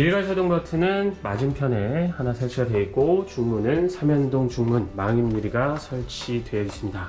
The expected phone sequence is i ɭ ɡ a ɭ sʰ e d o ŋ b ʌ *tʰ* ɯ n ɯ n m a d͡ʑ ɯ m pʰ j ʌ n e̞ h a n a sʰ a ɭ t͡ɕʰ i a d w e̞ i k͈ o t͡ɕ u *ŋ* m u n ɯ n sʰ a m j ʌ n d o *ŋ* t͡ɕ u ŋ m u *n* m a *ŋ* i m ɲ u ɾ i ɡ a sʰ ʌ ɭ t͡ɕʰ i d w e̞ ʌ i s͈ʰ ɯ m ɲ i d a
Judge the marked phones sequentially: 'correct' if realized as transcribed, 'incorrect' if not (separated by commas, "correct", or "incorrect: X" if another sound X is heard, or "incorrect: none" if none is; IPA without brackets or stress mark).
correct, correct, correct, correct, correct